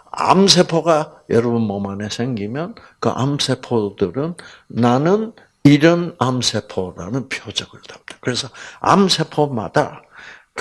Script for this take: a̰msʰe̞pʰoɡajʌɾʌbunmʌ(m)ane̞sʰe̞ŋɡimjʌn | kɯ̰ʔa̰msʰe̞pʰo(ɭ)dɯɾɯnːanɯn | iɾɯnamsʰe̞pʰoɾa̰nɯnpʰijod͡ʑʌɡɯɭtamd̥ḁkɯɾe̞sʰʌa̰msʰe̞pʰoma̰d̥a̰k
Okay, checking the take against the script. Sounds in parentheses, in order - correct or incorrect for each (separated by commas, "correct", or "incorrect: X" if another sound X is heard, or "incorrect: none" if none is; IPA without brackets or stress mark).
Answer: correct, incorrect: none